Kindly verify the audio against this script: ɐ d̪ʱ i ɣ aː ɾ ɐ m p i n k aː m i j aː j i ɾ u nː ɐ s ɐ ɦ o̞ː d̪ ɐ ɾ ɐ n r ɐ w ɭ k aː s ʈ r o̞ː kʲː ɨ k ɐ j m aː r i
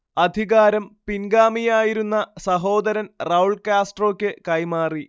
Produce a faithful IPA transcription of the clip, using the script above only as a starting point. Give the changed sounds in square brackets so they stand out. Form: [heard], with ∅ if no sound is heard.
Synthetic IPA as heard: ɐ d̪ʱ i ɣ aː ɾ ɐ m p i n [ɡ] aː m i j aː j i ɾ u nː ɐ s ɐ ɦ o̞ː d̪ ɐ ɾ ɐ n r ɐ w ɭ k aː s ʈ r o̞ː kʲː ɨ k ɐ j m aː r i

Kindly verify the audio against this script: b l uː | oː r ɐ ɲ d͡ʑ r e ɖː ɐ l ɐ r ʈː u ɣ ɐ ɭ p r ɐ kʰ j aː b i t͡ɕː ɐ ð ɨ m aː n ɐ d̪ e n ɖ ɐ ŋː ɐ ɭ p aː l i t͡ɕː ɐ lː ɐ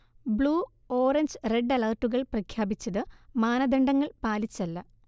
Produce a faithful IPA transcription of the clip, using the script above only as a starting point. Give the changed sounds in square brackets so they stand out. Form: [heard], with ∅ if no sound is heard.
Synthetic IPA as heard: b [ɭ] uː | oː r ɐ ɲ d͡ʑ r e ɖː ɐ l ɐ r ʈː u ɣ ɐ ɭ p r ɐ kʰ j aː b i t͡ɕː ɐ ð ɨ m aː n ɐ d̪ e [ɳ] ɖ ɐ ŋː ɐ ɭ p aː l i t͡ɕː ɐ lː ɐ

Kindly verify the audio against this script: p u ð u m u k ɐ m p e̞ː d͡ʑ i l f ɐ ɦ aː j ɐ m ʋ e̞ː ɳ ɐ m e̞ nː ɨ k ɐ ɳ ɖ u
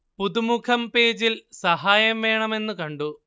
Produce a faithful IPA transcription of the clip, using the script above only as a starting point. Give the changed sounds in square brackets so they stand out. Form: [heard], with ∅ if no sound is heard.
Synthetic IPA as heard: p u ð u m u [kʰ] ɐ m p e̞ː d͡ʑ i l [s] ɐ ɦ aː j ɐ m ʋ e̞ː ɳ ɐ m e̞ nː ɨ k ɐ ɳ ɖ u

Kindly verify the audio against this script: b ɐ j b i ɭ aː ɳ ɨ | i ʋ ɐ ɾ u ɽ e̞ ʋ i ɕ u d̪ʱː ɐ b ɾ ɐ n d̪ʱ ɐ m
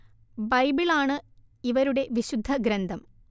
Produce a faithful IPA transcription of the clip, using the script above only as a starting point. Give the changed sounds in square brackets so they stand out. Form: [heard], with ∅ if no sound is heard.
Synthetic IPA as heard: b ɐ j b i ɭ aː ɳ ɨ | i ʋ ɐ ɾ u ɽ e̞ ʋ i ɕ u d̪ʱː ɐ [ɡ] ɾ ɐ n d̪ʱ ɐ m

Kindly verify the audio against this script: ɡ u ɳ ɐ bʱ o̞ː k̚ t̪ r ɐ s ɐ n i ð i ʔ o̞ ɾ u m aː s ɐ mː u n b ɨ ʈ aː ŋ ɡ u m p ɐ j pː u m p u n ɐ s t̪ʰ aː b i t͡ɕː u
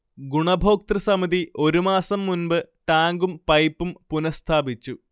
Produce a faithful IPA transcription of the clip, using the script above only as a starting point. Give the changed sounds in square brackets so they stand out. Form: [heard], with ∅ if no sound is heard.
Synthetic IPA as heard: ɡ u ɳ ɐ bʱ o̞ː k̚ t̪ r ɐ s ɐ [m] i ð i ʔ o̞ ɾ u m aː s ɐ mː u n b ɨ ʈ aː ŋ ɡ u m p ɐ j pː u m p u n ɐ s t̪ʰ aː b i t͡ɕː u

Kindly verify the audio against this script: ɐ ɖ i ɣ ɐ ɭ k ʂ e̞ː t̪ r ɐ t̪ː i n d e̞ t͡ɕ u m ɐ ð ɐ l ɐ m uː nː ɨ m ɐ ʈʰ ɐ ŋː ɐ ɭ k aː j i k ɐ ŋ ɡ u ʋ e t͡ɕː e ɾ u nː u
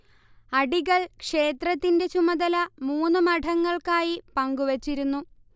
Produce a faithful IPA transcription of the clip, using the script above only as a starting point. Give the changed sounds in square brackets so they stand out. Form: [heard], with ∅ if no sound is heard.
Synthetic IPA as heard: ɐ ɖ i ɣ ɐ ɭ k ʂ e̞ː t̪ r ɐ t̪ː i n d e̞ t͡ɕ u m ɐ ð ɐ l ɐ m uː nː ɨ m ɐ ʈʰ ɐ ŋː ɐ ɭ k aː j i [p] ɐ ŋ ɡ u ʋ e t͡ɕː [i] ɾ u nː u

